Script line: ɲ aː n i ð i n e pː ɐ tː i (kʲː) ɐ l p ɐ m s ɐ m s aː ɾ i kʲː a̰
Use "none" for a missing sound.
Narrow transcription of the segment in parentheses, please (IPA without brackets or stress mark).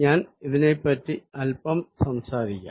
none